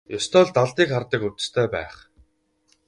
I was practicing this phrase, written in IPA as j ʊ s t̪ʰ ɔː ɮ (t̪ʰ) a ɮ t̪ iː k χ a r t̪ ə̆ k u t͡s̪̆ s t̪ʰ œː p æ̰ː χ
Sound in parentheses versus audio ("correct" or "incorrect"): incorrect